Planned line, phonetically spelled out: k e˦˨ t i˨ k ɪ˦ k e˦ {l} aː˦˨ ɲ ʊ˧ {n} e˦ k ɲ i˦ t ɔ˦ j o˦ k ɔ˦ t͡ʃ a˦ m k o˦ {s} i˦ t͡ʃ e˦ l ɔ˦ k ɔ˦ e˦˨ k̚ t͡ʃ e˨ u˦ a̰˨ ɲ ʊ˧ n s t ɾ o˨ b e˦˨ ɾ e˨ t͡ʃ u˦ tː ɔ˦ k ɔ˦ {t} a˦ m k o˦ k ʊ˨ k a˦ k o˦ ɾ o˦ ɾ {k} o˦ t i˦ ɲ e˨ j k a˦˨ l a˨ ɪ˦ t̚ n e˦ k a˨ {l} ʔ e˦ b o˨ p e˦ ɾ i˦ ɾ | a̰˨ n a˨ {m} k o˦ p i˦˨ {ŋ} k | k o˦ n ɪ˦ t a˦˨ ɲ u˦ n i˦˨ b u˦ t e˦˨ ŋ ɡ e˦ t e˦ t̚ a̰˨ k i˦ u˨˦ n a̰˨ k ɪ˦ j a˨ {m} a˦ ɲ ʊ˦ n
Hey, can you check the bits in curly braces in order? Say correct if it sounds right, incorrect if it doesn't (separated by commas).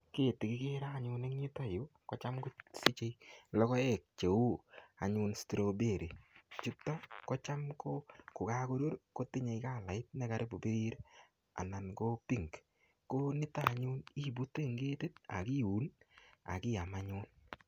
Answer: incorrect, correct, correct, incorrect, correct, incorrect, incorrect, correct, correct